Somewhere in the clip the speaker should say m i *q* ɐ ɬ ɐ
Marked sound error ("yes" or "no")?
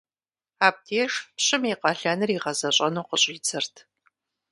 no